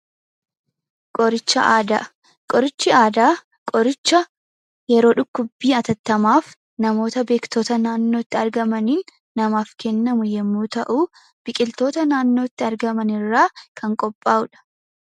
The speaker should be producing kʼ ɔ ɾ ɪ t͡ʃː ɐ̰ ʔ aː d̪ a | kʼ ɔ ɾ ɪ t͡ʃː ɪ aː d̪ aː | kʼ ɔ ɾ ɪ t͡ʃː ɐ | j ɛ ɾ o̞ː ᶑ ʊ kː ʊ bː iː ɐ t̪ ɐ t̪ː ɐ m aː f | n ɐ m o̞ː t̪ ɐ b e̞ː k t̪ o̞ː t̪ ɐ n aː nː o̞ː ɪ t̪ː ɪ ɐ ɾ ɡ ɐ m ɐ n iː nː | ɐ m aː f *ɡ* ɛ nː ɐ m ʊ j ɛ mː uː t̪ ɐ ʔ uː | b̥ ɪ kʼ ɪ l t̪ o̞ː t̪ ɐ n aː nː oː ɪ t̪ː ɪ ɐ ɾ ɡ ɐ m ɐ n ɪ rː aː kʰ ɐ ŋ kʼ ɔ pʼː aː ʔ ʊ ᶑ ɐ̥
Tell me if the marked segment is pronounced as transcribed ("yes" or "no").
no